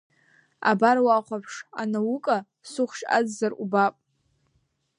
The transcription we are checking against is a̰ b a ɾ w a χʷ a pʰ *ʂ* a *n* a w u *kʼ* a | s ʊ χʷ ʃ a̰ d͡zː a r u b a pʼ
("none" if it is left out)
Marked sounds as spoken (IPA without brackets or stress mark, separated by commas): ʂ, n, kʼ